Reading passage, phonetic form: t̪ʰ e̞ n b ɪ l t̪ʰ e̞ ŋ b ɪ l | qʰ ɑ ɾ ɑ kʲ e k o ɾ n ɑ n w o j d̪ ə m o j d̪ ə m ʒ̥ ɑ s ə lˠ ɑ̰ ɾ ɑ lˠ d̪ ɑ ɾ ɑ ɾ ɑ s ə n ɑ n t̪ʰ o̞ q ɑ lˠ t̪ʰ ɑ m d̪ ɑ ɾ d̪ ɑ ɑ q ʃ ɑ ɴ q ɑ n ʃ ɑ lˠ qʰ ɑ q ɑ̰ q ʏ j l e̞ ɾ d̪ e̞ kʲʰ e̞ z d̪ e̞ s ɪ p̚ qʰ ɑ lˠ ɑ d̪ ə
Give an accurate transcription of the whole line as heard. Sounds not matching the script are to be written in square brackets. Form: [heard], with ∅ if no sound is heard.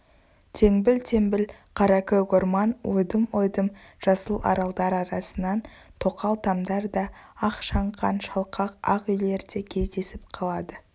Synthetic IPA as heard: t̪ʰ e̞ [ŋ] b ɪ l t̪ʰ e̞ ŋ b ɪ l | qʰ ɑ ɾ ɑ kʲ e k o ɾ [m] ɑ n w o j d̪ ə m o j d̪ ə m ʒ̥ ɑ s ə lˠ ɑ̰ ɾ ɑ lˠ d̪ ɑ ɾ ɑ ɾ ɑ s ə n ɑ n t̪ʰ o̞ q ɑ lˠ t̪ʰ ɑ m d̪ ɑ ɾ d̪ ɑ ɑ q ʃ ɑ ɴ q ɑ n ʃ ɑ lˠ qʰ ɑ q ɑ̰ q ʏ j l e̞ ɾ d̪ e̞ kʲʰ e̞ z d̪ e̞ s ɪ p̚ qʰ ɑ lˠ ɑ d̪ ə

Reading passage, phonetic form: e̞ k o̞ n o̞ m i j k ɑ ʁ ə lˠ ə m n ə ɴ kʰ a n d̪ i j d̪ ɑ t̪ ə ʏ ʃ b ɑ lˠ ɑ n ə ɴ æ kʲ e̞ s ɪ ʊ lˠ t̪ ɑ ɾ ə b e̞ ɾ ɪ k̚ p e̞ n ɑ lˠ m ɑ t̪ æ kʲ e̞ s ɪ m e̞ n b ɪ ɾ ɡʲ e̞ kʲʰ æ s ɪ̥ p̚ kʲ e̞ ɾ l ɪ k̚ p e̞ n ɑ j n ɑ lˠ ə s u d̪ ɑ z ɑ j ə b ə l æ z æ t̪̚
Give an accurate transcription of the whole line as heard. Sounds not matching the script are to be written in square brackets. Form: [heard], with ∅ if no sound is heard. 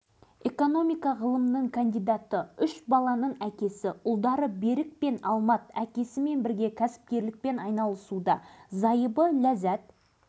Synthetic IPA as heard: e̞ k o̞ n o̞ m i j k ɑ ʁ ə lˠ ə m n ə ɴ kʰ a n d̪ i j d̪ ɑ t̪ ə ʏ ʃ b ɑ lˠ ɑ n ə ɴ æ kʲ e̞ s ɪ ʊ lˠ [d̪] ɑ ɾ ə b e̞ ɾ ɪ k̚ p e̞ n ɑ lˠ m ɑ t̪ æ kʲ e̞ s ɪ m e̞ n b ɪ ɾ ɡʲ e̞ kʲʰ æ s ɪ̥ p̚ kʲ e̞ ɾ l ɪ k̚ p e̞ n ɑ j n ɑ lˠ ə s u d̪ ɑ z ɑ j ə b ə l æ z æ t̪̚

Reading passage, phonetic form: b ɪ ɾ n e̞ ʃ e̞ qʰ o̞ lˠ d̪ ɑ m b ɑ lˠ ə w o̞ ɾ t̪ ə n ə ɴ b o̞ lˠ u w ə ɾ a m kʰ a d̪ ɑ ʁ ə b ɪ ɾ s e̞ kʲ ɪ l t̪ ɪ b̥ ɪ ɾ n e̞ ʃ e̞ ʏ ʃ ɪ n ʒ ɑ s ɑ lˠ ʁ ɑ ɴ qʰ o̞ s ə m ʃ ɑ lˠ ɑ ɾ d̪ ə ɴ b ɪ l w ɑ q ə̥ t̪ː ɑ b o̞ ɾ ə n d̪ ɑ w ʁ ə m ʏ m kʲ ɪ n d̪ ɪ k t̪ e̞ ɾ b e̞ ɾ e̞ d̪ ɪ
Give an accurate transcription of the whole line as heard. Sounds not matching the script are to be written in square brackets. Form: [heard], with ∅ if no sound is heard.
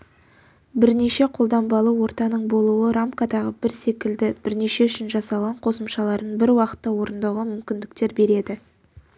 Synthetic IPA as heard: b ɪ ɾ n e̞ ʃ e̞ qʰ o̞ lˠ d̪ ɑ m b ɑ lˠ ə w o̞ ɾ t̪ [ɑ] n ə ɴ b o̞ lˠ u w ə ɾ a m [k] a d̪ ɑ ʁ ə b ɪ ɾ s e̞ kʲ ɪ l [d̪] ɪ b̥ ɪ ɾ n e̞ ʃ e̞ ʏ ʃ ɪ n ʒ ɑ s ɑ lˠ ʁ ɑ ɴ qʰ o̞ s ə m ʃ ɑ lˠ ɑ ɾ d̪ ə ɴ b ɪ [ɾ] w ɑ q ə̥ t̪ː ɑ [w] o̞ ɾ ə n d̪ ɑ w ʁ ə m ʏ m kʲ ɪ n d̪ ɪ k t̪ e̞ ɾ b e̞ ɾ e̞ d̪ ɪ

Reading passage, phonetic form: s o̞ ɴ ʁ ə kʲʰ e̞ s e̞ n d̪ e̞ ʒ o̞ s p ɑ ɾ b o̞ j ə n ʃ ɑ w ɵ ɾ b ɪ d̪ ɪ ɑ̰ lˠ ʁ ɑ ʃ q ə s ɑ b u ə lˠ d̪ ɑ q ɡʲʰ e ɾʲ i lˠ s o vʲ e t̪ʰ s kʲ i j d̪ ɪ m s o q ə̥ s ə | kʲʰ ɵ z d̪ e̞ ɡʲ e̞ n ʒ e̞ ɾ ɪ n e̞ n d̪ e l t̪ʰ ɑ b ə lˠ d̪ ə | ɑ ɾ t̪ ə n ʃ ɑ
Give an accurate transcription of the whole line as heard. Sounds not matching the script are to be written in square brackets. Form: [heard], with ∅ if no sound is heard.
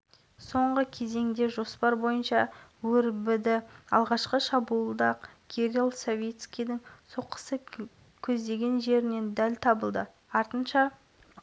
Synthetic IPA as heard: s o̞ ɴ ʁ ə kʲʰ e̞ [z] e̞ [ŋ] d̪ e̞ ʒ o̞ s p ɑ ɾ b o̞ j ə n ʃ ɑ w ɵ ɾ b ɪ d̪ ɪ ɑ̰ lˠ ʁ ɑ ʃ q ə [ʃ] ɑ b u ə lˠ d̪ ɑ q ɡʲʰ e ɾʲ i lˠ s o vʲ e [t̪] s kʲ i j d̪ ɪ [ŋ] s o q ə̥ s ə | kʲʰ ɵ z d̪ e̞ ɡʲ e̞ n ʒ e̞ ɾ ɪ n e̞ n d̪ [æ] l t̪ʰ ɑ b ə lˠ d̪ ə | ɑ ɾ t̪ ə n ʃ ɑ

